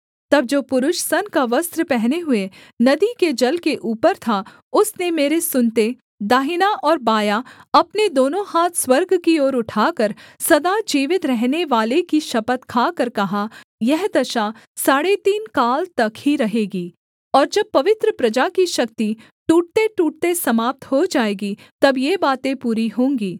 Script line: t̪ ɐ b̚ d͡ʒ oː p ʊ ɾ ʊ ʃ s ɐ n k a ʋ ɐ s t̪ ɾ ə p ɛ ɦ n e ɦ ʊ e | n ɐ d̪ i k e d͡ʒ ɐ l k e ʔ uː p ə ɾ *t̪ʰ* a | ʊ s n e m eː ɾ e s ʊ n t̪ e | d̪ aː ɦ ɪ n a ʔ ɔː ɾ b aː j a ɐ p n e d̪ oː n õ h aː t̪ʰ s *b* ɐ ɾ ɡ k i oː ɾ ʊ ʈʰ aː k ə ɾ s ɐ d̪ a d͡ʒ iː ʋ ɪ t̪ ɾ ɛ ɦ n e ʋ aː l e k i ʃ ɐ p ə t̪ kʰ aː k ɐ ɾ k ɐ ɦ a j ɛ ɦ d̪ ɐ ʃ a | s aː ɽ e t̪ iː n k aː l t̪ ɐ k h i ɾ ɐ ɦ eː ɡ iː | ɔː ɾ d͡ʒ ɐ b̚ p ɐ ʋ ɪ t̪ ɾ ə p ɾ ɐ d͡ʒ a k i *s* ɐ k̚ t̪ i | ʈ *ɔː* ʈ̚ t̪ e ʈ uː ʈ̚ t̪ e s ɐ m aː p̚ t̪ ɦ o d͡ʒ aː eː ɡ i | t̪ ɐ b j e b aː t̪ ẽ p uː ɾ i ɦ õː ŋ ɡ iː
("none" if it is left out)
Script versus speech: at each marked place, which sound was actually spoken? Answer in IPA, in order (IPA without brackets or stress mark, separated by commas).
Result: t̪ʰ, w, ʃ, uː